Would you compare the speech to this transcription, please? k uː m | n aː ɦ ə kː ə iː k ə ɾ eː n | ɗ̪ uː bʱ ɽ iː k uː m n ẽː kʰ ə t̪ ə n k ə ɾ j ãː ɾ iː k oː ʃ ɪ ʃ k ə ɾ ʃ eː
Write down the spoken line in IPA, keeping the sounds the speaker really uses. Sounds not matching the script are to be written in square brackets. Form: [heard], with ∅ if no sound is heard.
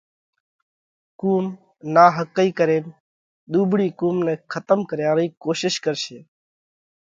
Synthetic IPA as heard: k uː m | n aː ɦ ə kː ə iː k ə ɾ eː n | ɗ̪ uː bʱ ɽ iː k uː m n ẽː kʰ ə t̪ ə [m] k ə ɾ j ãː ɾ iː k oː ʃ ɪ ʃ k ə ɾ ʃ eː